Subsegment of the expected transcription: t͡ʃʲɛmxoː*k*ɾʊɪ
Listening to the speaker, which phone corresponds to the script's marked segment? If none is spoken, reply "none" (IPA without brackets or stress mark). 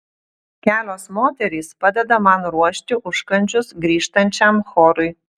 none